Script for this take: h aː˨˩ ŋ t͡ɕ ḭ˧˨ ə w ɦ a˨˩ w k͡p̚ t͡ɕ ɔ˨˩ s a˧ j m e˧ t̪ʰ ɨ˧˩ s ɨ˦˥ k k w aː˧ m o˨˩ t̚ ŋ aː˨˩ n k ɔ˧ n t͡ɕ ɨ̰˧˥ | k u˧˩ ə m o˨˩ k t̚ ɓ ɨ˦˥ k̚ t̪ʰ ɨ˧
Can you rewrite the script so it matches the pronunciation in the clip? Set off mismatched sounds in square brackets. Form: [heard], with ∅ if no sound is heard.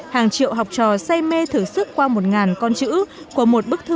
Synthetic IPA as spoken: h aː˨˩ ŋ t͡ɕ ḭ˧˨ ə w ɦ a˨˩ w k͡p̚ t͡ɕ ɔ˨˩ s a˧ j m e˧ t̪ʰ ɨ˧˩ s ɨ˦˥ k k w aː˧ m o˨˩ t̚ ŋ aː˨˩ n k ɔ˧ n t͡ɕ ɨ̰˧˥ | k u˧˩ ə m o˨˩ [∅] t̚ ɓ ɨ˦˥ k̚ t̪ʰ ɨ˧